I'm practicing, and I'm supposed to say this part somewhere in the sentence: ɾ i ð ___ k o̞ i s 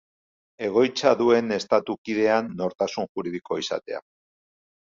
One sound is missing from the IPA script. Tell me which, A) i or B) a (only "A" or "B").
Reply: A